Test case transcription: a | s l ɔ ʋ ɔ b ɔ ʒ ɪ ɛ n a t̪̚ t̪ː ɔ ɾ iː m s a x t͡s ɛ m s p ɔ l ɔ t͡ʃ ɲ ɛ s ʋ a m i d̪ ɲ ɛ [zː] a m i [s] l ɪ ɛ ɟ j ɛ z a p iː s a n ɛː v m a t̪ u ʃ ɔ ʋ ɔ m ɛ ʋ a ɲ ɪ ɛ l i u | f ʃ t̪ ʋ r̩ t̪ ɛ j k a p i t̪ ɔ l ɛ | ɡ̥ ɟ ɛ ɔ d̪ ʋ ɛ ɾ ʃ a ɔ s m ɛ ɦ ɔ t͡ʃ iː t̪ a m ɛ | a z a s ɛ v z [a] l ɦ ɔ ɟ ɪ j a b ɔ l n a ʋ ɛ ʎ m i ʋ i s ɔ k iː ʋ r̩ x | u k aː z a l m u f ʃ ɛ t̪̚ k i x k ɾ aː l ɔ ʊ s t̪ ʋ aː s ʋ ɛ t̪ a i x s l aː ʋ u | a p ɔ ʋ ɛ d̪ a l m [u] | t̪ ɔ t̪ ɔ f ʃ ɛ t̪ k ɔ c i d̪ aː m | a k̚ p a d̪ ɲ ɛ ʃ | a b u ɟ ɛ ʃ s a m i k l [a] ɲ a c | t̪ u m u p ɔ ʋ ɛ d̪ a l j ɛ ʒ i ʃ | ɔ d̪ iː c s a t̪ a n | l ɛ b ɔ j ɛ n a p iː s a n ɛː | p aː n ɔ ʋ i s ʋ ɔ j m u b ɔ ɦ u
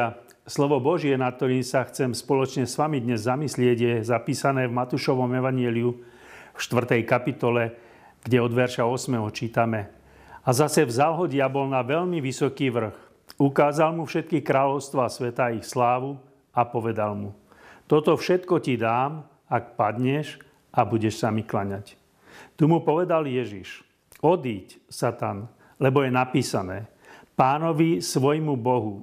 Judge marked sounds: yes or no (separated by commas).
yes, yes, yes, yes, yes